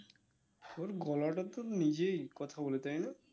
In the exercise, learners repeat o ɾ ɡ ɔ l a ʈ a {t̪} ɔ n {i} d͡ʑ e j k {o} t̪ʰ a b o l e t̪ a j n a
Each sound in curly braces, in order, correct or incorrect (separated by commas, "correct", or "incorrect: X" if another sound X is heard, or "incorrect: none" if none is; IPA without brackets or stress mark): correct, correct, incorrect: ɔ